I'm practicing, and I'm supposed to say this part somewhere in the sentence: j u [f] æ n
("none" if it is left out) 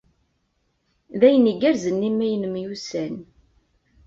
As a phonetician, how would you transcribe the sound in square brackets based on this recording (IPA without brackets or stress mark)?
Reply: s